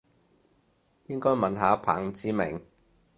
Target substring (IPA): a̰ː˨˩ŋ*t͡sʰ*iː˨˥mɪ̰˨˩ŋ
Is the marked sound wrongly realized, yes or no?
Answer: yes